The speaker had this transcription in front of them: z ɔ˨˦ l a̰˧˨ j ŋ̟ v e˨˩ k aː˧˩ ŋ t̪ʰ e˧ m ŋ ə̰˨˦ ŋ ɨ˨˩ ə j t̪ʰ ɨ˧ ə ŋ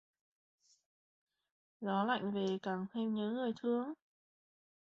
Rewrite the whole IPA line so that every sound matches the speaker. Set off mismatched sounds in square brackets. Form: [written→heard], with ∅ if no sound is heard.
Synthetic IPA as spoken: z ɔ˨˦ l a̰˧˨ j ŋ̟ v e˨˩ k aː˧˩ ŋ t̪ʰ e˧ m [ŋ→ɲ] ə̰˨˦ ŋ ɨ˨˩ ə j t̪ʰ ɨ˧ ə ŋ